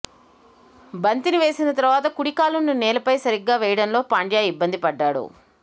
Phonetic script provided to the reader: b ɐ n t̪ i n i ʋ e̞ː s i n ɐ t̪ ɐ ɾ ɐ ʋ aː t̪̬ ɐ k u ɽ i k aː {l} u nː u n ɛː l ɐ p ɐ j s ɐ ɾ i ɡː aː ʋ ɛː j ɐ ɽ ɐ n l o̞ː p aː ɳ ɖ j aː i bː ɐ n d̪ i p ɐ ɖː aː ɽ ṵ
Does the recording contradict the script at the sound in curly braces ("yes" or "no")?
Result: no